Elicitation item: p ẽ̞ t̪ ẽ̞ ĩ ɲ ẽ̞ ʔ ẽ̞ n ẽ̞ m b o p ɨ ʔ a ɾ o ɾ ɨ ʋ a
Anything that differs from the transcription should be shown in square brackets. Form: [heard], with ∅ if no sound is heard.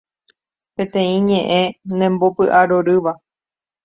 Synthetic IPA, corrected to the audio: p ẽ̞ t̪ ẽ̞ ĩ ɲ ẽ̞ ʔ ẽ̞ n ẽ̞ m b o p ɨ ʔ a ɾ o ɾ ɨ ʋ a